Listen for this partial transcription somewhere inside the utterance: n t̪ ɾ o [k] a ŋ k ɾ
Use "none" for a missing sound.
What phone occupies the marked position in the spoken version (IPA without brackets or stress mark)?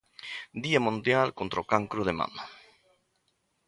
k